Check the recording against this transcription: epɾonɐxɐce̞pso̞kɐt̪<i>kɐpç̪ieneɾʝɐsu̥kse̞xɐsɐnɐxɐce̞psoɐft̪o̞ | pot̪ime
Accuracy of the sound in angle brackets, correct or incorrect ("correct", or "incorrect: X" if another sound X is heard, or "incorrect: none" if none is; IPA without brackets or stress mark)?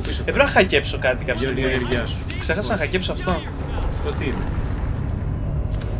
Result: correct